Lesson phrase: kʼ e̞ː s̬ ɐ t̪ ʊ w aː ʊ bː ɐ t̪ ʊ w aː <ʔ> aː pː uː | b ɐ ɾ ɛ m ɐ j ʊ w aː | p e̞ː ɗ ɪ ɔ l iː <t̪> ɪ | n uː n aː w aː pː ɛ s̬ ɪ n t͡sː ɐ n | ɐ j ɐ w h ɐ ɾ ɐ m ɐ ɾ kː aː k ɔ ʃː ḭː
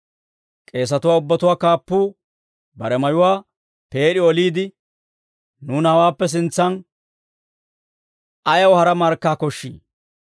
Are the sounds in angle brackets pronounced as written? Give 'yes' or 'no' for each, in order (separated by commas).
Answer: no, no